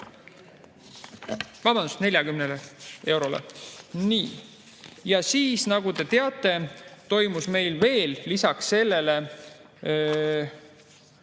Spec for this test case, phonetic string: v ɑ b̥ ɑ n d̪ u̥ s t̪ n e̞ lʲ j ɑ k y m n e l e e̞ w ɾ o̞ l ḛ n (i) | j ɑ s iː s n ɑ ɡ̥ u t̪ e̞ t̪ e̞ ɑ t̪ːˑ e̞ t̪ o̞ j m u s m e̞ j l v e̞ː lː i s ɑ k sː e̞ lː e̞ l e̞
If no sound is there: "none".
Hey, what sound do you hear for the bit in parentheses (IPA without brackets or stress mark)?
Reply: iː